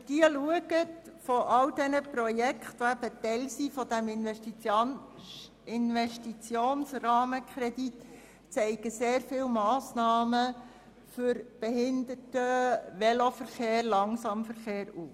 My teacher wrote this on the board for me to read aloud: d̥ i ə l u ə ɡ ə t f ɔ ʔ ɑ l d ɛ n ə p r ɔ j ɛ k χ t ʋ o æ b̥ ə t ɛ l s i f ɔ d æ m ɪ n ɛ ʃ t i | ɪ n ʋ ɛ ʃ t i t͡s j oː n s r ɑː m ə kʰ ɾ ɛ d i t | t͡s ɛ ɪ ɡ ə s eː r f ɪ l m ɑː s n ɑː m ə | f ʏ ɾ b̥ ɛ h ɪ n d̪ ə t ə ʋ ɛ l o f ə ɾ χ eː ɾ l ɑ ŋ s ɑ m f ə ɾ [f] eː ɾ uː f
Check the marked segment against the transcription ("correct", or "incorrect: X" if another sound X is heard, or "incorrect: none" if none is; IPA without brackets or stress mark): incorrect: χ